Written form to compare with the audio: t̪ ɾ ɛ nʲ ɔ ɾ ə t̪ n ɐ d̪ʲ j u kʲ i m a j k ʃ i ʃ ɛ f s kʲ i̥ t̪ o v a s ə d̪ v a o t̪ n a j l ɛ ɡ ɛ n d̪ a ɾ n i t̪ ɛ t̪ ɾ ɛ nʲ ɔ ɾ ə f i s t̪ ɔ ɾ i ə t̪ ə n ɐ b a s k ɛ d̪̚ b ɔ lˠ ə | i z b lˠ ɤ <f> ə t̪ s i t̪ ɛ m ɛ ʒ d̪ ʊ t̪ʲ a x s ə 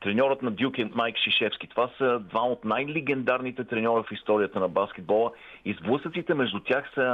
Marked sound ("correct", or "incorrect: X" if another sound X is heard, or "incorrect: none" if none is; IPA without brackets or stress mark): incorrect: s